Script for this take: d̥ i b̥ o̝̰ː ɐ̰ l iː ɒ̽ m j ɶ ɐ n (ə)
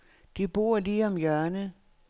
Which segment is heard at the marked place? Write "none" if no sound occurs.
ə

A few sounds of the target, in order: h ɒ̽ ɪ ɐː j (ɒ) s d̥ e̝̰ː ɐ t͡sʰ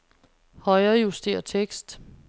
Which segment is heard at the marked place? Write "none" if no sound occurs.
u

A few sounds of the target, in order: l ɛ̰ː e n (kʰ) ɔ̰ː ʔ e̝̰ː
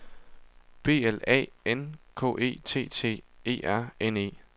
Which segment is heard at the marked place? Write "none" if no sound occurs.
kʰ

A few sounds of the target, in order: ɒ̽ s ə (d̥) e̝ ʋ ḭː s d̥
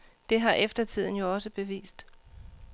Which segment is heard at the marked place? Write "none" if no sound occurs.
b̥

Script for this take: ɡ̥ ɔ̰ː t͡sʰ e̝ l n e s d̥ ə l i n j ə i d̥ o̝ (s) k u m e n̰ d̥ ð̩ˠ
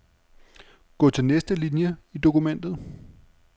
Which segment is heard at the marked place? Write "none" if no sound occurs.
none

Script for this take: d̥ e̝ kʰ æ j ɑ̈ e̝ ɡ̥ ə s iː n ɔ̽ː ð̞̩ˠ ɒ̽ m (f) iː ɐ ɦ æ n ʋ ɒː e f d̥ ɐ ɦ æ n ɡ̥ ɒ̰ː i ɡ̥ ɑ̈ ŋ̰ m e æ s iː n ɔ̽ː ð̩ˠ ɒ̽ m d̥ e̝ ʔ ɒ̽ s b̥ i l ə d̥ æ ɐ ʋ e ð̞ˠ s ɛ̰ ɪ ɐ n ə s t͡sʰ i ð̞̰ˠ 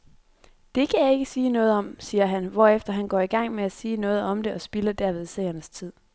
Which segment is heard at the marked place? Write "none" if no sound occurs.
s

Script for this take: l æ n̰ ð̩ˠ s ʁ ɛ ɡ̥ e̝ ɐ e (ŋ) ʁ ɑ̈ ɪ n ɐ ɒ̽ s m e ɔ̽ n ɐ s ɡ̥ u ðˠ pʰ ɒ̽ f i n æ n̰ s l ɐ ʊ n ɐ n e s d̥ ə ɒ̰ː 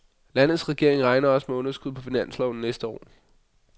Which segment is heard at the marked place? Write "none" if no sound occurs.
ŋ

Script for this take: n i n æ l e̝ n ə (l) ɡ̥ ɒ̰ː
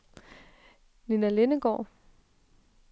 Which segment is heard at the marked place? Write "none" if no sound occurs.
none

